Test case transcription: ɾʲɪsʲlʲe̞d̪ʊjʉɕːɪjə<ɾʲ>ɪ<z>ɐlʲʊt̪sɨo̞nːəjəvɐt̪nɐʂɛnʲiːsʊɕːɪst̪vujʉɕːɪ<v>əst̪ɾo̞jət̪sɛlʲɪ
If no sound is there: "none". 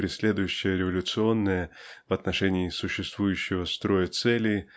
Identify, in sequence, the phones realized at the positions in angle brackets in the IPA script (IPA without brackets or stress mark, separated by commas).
ɾʲ, v, v